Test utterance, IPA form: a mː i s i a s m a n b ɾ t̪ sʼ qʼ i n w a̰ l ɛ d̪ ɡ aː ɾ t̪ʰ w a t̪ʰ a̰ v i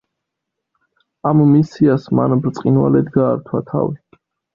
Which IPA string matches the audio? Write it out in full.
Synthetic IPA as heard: a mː i s i a s m a n b ɾ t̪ sʼ qʼ i n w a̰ l ɛ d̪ ɡ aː ɾ t̪ʰ w a t̪ʰ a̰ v i